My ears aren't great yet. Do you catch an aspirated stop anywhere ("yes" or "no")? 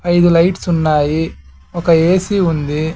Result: no